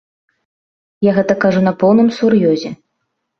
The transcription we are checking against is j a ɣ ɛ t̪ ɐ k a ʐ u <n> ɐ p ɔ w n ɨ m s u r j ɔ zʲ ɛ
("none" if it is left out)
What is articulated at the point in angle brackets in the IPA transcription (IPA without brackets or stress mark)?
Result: n